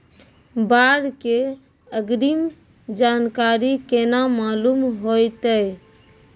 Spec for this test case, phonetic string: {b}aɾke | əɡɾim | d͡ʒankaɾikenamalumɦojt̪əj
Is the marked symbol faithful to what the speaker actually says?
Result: yes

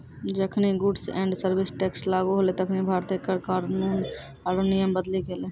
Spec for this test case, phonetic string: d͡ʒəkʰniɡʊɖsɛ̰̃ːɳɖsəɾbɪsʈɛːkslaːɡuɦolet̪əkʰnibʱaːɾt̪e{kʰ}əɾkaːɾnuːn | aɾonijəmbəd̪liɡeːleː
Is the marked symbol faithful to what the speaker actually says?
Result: no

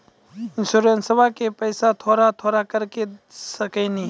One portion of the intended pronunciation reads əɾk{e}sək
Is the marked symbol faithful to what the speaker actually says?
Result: yes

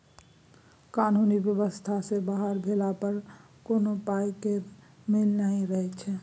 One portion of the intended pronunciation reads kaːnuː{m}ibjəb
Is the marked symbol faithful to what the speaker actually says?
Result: no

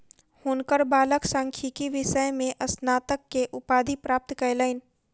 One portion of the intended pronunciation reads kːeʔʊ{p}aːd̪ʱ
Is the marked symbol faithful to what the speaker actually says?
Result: yes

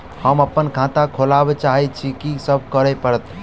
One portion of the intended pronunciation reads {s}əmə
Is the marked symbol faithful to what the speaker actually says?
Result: no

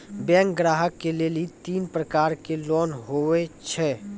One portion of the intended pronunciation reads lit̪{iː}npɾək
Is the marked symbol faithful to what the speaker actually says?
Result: yes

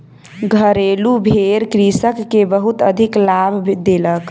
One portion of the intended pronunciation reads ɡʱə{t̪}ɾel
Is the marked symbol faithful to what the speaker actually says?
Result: no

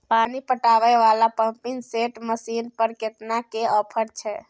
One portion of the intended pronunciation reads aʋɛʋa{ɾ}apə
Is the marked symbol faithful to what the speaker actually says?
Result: no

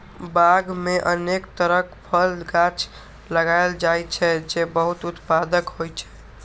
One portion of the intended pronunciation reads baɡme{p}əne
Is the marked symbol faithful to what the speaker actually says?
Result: no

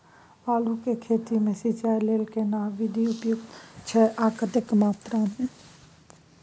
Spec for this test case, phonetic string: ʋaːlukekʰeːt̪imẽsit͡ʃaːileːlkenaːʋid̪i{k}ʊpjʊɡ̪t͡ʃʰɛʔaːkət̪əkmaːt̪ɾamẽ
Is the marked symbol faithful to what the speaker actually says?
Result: no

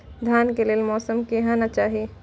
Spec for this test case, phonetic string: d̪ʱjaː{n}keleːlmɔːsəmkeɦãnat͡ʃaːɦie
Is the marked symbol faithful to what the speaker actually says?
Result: yes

